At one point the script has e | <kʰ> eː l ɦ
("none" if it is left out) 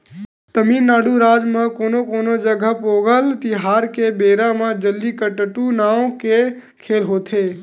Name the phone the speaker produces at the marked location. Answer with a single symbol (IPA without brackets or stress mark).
kʰ